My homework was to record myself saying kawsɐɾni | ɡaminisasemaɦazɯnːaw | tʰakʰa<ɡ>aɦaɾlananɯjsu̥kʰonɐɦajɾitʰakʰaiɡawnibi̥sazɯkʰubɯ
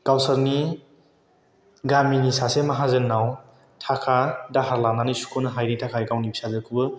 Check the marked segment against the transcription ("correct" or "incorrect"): incorrect